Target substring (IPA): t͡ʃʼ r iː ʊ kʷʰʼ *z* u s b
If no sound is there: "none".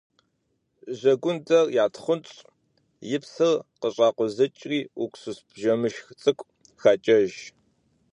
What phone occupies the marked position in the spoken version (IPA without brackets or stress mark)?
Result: s